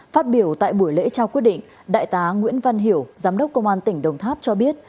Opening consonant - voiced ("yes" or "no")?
no